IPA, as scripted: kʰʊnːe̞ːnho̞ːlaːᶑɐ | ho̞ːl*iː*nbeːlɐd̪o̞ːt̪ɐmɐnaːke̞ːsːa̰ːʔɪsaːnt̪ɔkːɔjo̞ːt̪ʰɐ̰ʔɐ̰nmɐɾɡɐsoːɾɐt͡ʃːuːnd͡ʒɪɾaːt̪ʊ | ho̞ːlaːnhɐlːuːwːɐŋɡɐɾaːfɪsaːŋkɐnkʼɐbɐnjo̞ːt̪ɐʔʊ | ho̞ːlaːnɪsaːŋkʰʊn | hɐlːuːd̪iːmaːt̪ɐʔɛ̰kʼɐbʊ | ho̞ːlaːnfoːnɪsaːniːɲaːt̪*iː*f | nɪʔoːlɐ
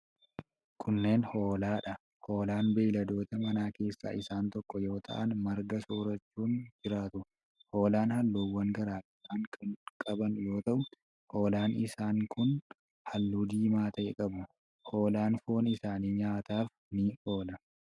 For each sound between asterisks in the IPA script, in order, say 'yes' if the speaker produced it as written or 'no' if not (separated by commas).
no, no